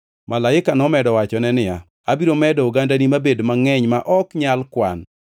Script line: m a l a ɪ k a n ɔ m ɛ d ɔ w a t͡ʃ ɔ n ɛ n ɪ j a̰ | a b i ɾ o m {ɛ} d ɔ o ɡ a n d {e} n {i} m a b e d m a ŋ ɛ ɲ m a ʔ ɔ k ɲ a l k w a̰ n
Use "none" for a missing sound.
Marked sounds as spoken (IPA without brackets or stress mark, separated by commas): ɛ, a, i